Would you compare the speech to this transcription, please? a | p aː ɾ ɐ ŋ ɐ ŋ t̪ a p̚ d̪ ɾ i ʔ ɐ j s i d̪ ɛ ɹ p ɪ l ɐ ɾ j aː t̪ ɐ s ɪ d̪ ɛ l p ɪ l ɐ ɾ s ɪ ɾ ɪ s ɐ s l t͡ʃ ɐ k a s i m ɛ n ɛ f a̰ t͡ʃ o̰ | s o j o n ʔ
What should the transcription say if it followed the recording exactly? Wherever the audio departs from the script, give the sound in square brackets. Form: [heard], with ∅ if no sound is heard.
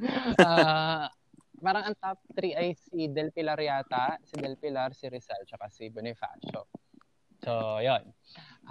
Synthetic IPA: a | p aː ɾ ɐ ŋ ɐ ŋ t̪ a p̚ [t̪] ɾ i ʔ ɐ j s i d̪ ɛ [l] p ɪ l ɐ ɾ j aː t̪ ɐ s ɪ d̪ ɛ l p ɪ l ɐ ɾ s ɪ ɾ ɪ s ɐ [∅] l t͡ʃ ɐ k a s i [b] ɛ n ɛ f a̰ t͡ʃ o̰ | s o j o n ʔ